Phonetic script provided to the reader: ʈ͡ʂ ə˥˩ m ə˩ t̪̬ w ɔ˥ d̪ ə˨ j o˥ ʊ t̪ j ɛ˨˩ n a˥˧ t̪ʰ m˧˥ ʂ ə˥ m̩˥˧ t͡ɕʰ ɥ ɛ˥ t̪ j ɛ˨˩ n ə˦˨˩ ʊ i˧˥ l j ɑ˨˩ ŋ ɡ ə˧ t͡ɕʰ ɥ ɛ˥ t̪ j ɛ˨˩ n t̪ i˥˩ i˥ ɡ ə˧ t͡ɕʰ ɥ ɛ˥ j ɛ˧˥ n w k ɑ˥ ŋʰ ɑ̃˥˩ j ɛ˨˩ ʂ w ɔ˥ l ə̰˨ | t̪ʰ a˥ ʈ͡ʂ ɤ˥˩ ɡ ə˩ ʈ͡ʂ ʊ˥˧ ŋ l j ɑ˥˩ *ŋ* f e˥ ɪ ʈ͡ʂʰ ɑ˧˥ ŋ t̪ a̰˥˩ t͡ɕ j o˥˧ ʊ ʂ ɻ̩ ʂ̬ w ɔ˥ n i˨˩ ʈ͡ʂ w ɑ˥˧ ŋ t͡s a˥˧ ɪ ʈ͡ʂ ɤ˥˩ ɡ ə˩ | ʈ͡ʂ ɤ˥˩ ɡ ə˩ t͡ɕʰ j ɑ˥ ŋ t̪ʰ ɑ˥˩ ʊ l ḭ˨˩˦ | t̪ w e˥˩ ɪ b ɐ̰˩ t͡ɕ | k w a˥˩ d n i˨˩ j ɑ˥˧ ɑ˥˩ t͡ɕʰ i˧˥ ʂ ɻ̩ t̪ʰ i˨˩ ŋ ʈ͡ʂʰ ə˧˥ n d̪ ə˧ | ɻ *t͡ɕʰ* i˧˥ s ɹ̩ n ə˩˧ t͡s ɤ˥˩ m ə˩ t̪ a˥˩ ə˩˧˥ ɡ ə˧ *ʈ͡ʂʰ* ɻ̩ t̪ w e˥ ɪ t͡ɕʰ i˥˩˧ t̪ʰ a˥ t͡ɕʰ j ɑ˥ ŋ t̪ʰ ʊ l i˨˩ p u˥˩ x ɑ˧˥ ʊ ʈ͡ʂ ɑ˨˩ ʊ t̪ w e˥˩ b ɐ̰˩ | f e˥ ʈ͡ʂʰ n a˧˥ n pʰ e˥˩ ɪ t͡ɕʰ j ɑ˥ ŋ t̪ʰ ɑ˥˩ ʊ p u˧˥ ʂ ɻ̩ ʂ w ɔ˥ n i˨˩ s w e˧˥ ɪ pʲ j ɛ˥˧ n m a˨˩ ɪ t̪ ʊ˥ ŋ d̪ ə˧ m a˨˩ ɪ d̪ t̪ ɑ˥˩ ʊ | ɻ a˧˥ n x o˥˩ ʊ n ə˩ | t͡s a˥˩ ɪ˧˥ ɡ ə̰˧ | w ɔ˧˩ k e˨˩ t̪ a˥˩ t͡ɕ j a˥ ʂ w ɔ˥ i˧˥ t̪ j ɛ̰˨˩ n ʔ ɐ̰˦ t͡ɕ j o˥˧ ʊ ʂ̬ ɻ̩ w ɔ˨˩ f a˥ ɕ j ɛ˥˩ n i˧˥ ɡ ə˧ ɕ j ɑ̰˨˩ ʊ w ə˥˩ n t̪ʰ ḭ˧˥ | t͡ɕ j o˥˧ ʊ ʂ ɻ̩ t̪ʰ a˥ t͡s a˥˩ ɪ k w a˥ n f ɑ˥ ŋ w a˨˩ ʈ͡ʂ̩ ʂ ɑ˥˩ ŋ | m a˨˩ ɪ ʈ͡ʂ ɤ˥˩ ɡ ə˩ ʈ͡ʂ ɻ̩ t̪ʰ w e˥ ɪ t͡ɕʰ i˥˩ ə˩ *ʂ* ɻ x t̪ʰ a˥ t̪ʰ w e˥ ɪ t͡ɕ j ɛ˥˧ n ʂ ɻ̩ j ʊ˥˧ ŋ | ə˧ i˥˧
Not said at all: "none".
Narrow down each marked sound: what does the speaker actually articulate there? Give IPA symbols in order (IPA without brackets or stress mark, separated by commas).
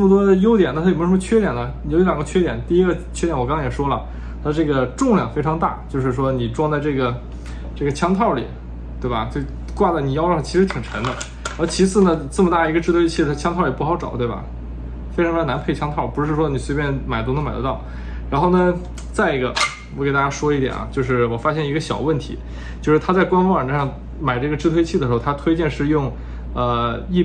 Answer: ŋ, t͡ɕʰ, ʈ͡ʂ, ʂ